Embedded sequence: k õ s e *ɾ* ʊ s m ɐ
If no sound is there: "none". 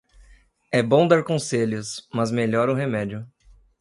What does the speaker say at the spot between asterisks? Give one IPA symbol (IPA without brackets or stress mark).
ʎ